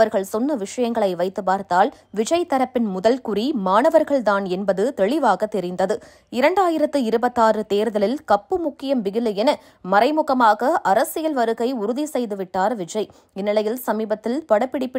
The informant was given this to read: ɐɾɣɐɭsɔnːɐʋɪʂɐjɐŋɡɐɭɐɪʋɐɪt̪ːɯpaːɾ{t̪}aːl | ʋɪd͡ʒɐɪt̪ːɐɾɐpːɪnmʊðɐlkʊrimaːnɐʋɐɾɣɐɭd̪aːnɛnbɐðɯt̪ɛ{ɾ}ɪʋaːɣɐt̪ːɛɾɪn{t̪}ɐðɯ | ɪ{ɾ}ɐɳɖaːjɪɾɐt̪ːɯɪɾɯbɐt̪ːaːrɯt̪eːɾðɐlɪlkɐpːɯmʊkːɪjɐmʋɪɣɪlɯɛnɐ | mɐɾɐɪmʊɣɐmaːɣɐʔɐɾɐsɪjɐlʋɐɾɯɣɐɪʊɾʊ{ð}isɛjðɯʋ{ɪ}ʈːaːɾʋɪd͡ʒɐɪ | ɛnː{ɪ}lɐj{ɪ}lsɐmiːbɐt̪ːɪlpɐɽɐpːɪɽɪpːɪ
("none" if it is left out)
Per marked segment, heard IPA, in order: t̪, ɭ, d̪, ɾ, ð, ɪ, ɪ, ɪ

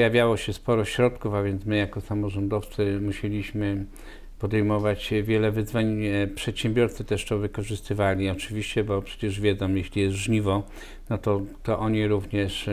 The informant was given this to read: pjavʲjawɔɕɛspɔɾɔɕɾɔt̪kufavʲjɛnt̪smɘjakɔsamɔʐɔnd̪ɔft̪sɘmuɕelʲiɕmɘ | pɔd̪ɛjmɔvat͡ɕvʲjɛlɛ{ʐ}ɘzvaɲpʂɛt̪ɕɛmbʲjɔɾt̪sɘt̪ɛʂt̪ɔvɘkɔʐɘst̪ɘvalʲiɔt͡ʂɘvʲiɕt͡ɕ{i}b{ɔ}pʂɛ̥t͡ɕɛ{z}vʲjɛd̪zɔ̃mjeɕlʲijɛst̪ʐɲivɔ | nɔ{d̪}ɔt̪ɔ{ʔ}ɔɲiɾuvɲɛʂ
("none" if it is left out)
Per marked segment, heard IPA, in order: v, ɛ, ɔ, ʐ, t̪, ʔ

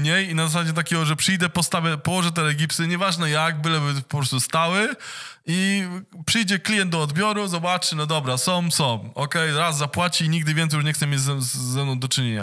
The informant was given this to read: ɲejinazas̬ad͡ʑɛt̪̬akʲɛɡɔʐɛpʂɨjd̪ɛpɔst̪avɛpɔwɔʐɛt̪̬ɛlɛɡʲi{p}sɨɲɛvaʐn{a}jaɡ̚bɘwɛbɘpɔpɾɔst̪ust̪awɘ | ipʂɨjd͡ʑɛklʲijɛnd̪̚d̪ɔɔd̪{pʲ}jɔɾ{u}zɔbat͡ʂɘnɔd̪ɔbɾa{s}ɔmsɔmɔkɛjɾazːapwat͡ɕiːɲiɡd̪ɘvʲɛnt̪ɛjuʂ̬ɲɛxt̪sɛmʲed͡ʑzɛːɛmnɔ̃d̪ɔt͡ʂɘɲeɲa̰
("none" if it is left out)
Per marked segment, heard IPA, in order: p, ɛ, bʲ, u, s

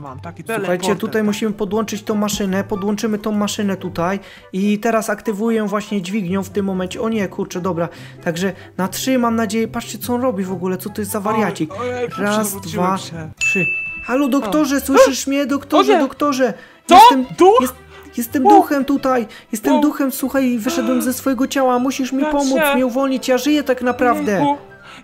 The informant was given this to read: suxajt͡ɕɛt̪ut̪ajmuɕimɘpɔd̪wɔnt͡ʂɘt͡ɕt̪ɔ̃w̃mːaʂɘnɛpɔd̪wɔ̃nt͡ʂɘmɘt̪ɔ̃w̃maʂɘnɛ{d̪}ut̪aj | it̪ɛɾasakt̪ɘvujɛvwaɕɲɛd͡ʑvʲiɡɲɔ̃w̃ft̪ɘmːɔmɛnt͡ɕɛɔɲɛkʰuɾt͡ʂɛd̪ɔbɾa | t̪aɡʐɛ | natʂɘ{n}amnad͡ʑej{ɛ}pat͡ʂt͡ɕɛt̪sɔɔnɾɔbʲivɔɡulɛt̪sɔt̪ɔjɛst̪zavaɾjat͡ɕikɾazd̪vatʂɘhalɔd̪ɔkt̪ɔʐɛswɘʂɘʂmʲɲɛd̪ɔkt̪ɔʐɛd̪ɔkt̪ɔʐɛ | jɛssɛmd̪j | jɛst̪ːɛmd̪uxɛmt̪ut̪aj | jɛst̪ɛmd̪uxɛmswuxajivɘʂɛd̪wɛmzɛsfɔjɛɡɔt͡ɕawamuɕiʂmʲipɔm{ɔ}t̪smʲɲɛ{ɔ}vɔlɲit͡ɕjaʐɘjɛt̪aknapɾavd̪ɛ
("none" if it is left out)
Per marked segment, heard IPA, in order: t̪, m, ɛ, u, u

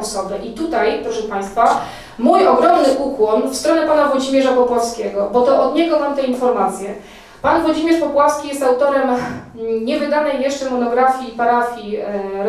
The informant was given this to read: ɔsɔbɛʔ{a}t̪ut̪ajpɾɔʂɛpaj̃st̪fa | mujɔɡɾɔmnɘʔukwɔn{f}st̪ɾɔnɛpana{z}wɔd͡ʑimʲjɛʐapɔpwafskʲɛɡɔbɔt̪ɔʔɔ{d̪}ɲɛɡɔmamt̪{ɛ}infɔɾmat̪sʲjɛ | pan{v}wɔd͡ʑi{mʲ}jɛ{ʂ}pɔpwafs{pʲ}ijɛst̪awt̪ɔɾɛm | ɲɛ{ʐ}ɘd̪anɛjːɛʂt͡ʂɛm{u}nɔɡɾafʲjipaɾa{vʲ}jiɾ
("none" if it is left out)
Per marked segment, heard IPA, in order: i, f, v, d̪, ɛ, v, mʲ, ʂ, kʲ, v, ɔ, fʲ

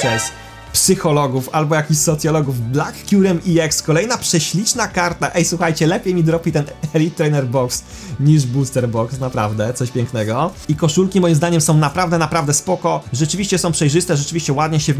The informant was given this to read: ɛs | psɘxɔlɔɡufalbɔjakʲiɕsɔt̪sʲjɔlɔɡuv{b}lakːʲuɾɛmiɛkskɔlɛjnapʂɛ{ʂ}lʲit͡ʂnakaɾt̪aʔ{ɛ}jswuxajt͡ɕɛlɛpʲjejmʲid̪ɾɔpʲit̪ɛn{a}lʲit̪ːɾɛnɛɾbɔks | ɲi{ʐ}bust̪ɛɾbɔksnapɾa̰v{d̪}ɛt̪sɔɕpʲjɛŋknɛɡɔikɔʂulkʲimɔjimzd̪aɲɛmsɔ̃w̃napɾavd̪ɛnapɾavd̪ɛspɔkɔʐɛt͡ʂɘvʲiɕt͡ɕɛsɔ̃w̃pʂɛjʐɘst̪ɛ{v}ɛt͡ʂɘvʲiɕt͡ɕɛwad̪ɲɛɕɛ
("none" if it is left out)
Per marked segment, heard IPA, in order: b, ɕ, ɛ, ɛ, ʐ, d̪, ʐ

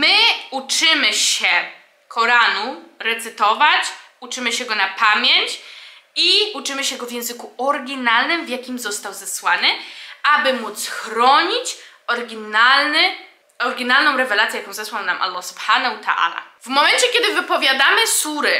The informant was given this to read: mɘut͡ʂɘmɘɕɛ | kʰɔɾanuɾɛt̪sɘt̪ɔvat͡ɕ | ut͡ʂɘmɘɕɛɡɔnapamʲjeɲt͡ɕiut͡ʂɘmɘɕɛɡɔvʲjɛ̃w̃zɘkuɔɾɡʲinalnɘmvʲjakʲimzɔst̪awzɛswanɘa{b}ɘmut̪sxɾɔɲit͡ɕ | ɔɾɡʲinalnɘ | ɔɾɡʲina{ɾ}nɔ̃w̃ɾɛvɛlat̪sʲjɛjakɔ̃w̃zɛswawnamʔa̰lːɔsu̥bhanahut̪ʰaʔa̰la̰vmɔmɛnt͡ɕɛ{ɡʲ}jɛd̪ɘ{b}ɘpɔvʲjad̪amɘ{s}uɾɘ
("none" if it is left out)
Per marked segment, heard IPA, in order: b, l, kʲ, v, s

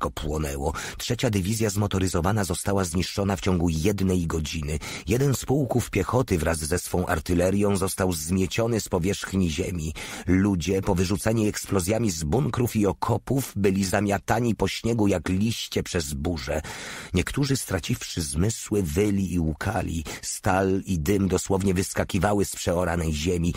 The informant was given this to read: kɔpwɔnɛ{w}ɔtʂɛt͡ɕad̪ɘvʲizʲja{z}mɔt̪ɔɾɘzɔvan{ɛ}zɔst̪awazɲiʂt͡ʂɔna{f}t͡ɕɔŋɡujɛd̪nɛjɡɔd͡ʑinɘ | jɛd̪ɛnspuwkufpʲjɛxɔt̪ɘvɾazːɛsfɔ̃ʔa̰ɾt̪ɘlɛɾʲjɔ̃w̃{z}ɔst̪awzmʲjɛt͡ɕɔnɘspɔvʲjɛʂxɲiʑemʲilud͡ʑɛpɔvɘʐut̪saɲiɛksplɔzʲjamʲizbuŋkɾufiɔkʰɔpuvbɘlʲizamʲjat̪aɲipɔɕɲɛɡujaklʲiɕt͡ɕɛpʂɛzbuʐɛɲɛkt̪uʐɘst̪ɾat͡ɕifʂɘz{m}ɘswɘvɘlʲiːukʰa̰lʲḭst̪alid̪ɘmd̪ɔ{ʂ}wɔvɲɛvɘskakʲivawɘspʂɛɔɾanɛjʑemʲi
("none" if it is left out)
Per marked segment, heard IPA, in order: w, z, a, f, z, m, s

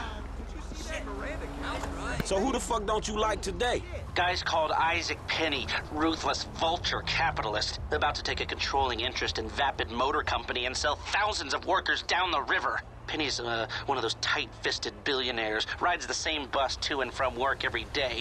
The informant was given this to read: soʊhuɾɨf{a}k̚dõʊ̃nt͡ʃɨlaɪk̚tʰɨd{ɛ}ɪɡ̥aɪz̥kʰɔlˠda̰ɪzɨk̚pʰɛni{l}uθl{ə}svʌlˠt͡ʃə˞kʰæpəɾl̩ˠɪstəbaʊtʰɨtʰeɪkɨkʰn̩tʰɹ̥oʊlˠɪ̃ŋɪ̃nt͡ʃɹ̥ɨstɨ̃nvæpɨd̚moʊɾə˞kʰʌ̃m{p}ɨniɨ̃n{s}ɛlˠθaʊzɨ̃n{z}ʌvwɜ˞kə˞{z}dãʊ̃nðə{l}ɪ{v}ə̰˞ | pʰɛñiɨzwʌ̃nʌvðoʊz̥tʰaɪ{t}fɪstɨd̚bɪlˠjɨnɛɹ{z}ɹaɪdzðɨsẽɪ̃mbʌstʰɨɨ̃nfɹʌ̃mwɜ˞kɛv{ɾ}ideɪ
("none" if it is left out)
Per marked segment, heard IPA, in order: ʌ, e, ɹ, ə, p, s, z, z, ɹ, v, t, z, ɹ

